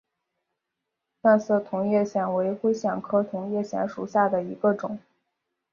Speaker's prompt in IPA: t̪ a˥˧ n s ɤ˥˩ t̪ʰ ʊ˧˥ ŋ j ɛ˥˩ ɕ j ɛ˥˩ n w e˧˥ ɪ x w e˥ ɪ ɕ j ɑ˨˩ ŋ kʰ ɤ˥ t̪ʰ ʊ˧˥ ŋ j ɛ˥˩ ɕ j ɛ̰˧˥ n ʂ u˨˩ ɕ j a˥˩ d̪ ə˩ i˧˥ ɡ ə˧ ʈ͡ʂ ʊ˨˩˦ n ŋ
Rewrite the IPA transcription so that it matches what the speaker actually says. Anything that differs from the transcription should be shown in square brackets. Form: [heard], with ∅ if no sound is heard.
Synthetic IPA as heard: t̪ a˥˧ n s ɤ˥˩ t̪ʰ ʊ˧˥ ŋ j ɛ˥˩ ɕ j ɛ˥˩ n w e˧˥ ɪ x w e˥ ɪ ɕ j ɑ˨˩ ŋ kʰ ɤ˥ t̪ʰ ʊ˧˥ ŋ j ɛ˥˩ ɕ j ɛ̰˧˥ n ʂ u˨˩ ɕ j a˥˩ d̪ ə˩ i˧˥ ɡ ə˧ ʈ͡ʂ ʊ˨˩˦ [∅] ŋ